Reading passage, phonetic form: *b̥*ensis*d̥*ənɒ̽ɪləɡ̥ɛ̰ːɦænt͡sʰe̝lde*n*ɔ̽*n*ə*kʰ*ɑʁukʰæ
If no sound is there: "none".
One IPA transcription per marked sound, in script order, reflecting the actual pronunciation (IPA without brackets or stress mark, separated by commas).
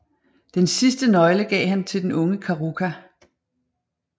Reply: d̥, d̥, n, ŋ, kʰ